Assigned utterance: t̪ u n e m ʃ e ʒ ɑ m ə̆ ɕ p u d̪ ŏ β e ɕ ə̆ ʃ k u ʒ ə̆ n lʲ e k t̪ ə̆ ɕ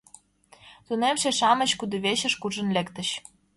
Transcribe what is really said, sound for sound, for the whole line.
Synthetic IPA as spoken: t̪ u n e m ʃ e ʃ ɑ m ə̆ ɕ k u d̪ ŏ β e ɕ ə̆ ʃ k u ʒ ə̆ n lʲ e k t̪ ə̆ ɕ